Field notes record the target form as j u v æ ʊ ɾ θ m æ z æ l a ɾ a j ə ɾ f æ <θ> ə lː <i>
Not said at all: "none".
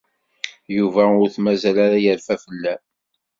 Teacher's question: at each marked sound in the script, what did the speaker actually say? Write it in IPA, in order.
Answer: f, æ

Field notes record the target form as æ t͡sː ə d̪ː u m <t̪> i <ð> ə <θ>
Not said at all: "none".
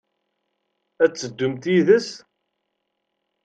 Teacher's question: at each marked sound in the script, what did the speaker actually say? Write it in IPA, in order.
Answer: t̪, ð, s

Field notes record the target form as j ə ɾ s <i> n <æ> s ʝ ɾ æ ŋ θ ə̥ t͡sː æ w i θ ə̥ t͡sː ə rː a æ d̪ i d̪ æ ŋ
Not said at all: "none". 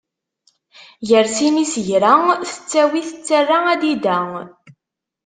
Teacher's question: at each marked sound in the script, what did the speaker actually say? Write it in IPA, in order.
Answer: i, i

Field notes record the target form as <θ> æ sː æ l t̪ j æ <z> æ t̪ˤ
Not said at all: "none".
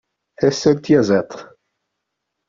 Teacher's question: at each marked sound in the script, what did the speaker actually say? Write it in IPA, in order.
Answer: θ, z

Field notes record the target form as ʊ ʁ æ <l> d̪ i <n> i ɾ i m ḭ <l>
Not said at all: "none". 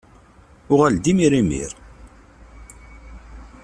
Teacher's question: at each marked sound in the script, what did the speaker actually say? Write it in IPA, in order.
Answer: l, m, ɾ

